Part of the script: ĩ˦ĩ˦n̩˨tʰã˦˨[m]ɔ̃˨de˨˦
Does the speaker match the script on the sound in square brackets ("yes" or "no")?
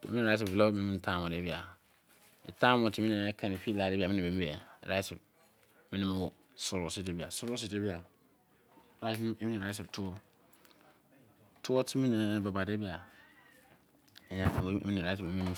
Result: yes